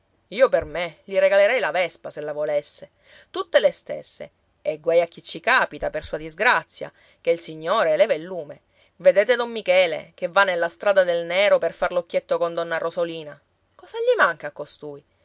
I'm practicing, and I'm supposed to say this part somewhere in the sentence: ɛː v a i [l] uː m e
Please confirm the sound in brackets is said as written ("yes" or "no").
no